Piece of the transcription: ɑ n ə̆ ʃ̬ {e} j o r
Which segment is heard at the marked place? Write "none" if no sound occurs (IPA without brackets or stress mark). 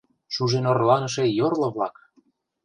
e